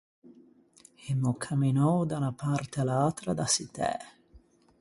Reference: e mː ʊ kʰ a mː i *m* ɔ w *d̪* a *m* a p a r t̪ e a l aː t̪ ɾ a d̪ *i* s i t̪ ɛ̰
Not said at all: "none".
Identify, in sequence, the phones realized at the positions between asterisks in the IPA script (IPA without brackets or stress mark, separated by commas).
n, d̪, n, a